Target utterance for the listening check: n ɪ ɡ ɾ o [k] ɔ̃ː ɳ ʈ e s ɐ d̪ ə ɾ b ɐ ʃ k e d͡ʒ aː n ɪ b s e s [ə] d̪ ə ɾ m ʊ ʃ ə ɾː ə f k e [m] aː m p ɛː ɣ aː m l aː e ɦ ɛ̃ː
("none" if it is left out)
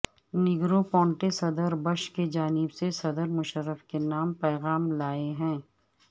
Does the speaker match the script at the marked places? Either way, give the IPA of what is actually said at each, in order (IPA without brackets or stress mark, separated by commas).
p, ɐ, n